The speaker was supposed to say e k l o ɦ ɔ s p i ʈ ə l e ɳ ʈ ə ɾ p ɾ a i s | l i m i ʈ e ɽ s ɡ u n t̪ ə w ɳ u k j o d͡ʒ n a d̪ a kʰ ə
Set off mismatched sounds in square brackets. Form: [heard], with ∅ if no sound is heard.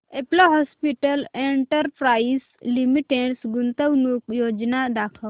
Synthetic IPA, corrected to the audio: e [p] l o ɦ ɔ s p i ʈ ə l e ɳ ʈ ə ɾ p ɾ a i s | l i m i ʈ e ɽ s ɡ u n t̪ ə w [n] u k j o d͡ʒ n a d̪ a kʰ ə